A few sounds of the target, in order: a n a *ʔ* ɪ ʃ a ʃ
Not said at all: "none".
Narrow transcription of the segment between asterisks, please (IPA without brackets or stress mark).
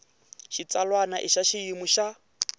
ʔ